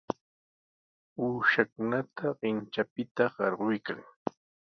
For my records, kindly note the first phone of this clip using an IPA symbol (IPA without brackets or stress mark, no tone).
uː